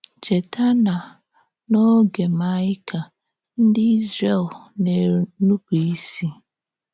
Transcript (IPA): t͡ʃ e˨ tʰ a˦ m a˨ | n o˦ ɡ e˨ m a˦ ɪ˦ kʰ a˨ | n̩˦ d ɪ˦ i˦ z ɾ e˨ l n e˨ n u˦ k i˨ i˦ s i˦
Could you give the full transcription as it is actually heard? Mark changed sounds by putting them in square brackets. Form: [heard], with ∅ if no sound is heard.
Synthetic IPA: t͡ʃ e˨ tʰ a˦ [n] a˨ | n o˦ ɡ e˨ m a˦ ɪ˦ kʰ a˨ | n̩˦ d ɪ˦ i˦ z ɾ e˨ l n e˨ n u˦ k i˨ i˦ s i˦